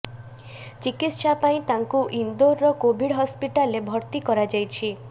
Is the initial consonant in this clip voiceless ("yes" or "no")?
yes